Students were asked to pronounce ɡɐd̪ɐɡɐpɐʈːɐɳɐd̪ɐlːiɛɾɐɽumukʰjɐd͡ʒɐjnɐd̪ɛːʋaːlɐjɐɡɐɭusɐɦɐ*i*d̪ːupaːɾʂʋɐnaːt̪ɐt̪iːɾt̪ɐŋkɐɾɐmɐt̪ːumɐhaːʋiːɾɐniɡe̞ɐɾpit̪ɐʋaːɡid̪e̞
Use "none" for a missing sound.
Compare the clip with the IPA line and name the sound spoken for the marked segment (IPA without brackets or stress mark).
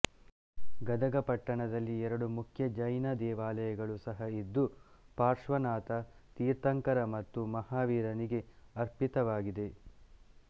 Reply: i